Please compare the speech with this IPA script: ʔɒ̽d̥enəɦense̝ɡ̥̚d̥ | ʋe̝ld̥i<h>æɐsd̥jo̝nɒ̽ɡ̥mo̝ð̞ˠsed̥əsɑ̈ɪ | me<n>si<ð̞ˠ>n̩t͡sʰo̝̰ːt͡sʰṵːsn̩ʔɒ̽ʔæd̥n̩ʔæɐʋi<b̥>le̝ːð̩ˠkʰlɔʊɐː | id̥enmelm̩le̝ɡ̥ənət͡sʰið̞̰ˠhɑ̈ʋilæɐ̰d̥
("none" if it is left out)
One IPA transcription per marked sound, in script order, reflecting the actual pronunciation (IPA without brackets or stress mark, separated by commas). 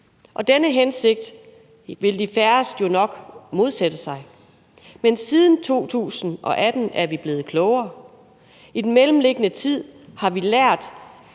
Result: f, n, ð̞ˠ, b̥